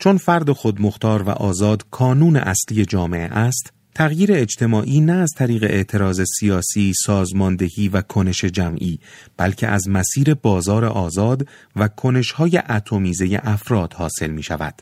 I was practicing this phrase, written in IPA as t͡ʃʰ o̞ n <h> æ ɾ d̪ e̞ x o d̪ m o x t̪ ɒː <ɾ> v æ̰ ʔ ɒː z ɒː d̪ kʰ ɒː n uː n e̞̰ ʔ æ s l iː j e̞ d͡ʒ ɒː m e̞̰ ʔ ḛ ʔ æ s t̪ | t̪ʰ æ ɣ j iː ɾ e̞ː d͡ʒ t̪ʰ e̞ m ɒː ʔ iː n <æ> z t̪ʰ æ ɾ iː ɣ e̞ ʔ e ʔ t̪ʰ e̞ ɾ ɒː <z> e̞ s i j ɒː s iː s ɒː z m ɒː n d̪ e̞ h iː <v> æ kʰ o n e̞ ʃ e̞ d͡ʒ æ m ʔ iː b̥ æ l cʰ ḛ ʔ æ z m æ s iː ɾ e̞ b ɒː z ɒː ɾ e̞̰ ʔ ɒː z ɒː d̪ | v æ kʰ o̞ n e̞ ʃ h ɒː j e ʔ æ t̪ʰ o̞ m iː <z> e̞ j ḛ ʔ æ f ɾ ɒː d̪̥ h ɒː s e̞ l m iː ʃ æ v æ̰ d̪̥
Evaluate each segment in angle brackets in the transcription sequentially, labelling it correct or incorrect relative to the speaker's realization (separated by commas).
incorrect, correct, incorrect, correct, correct, correct